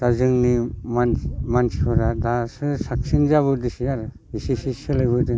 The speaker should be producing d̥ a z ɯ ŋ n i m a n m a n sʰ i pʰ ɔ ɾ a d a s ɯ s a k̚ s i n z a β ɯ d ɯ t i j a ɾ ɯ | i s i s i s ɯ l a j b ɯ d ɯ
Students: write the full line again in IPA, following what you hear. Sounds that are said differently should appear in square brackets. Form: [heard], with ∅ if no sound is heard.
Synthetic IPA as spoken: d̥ a z ɯ ŋ n i m a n m a n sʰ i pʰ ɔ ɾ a d a s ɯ s a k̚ s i n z a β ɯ d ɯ [s] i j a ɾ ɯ | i s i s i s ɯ l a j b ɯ d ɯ